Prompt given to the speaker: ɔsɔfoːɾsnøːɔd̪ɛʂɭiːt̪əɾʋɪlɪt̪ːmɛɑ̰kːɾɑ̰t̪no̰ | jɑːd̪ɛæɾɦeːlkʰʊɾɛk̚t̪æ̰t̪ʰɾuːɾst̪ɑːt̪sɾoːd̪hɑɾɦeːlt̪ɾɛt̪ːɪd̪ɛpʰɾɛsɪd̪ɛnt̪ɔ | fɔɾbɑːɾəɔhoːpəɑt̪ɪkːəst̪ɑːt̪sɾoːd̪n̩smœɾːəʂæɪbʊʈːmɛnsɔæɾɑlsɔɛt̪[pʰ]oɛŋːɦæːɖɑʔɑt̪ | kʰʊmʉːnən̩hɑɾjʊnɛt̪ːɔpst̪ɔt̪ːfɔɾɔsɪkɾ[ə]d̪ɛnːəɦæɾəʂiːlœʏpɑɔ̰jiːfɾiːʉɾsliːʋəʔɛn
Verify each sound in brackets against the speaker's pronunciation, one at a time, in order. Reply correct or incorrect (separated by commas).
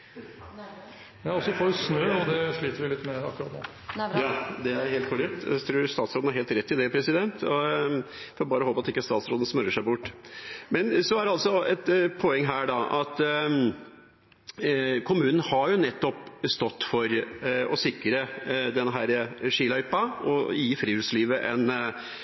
correct, correct